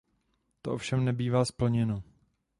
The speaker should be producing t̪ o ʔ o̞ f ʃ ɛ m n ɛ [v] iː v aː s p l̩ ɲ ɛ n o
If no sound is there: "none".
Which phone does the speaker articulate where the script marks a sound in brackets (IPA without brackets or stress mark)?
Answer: b